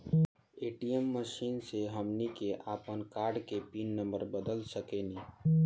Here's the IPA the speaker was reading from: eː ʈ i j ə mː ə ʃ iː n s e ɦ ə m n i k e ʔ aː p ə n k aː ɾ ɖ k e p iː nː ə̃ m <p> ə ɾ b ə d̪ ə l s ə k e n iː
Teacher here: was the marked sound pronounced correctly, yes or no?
no